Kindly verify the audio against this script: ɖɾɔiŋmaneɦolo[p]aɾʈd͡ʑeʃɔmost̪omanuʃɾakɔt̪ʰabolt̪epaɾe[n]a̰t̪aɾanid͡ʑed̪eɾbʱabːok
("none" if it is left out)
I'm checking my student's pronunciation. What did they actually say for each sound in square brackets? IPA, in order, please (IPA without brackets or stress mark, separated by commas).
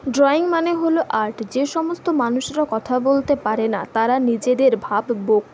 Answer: ʔ, n